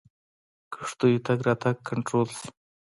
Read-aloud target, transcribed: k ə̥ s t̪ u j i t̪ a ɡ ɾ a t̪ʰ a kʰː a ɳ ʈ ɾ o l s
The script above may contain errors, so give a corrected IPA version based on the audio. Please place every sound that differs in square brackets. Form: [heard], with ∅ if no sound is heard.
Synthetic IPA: k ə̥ [ʂ] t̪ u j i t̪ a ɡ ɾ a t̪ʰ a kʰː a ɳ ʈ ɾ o l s